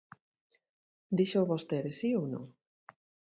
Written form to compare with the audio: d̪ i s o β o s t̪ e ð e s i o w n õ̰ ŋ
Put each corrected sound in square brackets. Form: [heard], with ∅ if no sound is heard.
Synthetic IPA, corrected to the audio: d̪ i [ʃ] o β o s t̪ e ð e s i o w n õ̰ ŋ